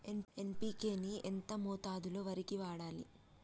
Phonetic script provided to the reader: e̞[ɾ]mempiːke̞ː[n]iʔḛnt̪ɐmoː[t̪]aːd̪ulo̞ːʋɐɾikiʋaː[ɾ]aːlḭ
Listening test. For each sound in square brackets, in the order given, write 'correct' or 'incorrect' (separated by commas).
incorrect, correct, correct, incorrect